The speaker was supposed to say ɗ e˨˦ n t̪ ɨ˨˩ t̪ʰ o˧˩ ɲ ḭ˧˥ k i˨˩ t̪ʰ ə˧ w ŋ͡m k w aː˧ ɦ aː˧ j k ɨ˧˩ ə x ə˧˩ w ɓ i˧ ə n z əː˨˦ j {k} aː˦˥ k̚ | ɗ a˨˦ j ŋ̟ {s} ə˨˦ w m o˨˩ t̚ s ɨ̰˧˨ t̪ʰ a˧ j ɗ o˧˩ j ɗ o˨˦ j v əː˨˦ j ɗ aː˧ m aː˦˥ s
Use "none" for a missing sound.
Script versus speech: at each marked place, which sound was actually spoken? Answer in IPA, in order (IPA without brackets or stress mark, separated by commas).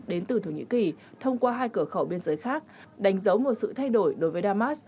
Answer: x, z